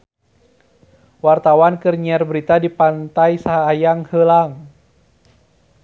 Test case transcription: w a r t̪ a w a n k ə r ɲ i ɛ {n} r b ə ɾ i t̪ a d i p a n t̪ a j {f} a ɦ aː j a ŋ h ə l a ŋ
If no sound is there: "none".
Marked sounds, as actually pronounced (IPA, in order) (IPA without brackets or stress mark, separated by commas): none, s